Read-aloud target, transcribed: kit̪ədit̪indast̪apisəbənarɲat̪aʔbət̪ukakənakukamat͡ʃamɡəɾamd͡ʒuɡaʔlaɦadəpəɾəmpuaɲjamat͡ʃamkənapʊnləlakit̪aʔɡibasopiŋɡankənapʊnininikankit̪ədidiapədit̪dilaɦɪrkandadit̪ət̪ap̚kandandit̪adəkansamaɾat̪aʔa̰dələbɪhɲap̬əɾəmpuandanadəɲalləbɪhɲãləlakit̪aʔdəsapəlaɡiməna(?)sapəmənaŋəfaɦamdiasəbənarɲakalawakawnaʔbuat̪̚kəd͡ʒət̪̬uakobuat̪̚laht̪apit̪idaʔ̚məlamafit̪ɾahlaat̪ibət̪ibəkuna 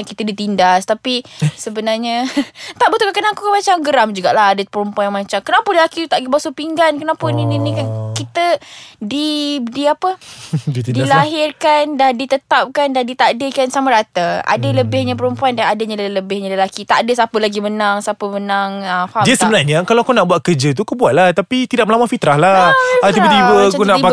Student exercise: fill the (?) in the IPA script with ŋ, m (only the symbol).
ŋ